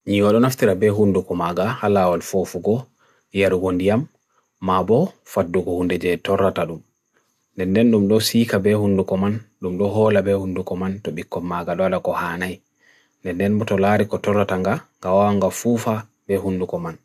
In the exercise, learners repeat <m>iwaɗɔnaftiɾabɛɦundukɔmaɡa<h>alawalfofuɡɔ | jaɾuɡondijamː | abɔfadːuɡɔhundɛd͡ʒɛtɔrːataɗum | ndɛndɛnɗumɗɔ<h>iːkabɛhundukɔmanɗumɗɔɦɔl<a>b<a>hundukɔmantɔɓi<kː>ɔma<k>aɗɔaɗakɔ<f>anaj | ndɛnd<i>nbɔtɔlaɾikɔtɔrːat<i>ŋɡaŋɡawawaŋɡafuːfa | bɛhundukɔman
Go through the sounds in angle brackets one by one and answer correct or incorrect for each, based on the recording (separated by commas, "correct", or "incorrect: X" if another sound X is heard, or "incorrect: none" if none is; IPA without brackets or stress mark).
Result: incorrect: ɲ, correct, incorrect: s, correct, incorrect: ɛ, correct, incorrect: ɡ, incorrect: h, incorrect: ɛ, incorrect: a